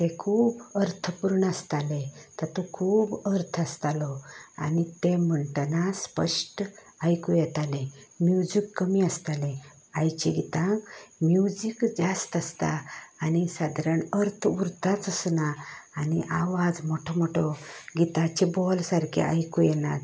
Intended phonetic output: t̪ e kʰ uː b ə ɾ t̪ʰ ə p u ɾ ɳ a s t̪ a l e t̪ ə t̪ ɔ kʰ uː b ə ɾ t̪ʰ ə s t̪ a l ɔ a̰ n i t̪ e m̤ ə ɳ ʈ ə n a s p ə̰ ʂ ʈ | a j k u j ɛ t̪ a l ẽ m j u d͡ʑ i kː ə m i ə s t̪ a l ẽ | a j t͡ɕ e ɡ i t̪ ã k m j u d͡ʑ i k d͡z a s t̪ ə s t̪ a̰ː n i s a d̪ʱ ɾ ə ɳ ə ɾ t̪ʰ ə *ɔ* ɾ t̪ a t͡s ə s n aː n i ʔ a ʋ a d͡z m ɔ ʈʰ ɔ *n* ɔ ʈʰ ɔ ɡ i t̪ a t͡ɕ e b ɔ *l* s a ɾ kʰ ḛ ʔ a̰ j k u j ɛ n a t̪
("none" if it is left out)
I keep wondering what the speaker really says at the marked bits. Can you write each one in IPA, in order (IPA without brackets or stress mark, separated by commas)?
u, m, l